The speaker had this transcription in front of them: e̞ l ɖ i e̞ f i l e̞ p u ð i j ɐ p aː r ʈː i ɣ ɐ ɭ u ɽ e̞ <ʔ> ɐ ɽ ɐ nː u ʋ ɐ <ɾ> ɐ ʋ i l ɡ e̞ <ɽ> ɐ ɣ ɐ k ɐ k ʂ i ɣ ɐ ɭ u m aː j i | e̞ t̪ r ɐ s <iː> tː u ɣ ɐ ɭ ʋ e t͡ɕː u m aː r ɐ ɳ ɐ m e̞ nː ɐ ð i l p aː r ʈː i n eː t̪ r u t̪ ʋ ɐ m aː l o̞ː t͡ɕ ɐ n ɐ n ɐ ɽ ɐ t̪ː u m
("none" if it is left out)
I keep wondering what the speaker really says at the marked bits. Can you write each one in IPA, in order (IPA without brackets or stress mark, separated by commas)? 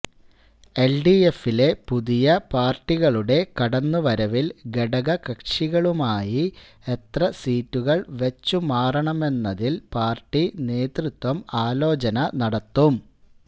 k, ɾ, ɽ, iː